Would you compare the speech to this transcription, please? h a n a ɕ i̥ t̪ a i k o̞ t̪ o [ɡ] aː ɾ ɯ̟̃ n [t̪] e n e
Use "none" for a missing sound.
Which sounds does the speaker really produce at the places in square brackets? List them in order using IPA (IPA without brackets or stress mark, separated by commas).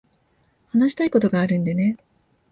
ɡ, d̪